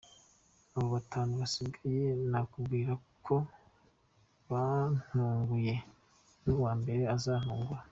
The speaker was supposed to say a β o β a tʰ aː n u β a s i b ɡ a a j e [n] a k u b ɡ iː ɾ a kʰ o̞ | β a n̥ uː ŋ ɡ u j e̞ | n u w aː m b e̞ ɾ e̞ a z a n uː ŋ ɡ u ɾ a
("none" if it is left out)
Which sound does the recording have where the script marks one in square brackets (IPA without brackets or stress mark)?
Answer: n